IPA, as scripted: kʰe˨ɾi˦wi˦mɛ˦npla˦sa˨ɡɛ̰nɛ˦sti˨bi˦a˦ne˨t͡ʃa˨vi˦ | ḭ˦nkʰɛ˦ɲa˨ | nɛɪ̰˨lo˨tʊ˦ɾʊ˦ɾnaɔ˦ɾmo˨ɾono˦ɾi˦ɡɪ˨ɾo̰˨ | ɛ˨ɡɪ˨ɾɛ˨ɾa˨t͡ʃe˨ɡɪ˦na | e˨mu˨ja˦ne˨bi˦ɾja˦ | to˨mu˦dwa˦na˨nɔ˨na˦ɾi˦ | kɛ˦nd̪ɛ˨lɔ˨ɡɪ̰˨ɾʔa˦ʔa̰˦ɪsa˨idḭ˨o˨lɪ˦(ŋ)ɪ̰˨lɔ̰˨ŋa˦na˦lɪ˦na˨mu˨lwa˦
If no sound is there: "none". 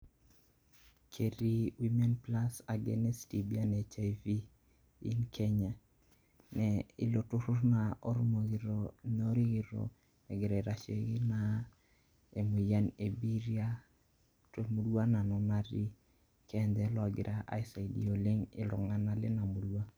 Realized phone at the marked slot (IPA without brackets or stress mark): ŋ